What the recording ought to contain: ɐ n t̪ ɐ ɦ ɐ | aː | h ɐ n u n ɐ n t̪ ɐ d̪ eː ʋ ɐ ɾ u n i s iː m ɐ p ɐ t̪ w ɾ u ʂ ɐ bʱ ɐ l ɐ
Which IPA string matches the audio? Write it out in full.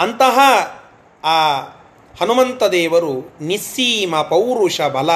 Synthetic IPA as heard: ɐ n t̪ ɐ ɦ ɐ | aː | h ɐ n u m ɐ n t̪ ɐ d̪ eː ʋ ɐ ɾ u n i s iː m ɐ p ɐ w ɾ u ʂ ɐ bʱ ɐ l ɐ